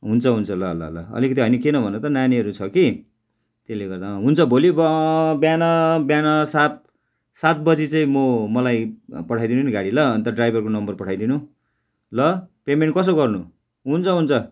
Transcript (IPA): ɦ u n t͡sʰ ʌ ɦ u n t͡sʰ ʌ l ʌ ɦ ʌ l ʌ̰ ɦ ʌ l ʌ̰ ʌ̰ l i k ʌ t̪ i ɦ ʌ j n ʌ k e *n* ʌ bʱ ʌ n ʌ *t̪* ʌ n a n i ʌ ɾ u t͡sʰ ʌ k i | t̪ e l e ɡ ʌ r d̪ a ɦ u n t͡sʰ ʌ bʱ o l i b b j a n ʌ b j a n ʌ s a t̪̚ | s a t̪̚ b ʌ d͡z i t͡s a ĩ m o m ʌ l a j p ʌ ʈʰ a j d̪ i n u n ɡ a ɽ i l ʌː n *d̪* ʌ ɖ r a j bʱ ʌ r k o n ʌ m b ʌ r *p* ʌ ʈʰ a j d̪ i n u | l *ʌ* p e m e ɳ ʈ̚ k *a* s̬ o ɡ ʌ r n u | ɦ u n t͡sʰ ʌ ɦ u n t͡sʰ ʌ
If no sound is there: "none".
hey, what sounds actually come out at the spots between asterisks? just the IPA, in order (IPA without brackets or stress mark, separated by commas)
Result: n, t̪, t̪, p, ʌ, ʌ